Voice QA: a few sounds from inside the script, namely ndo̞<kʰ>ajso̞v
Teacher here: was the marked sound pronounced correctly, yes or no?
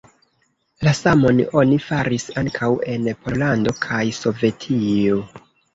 yes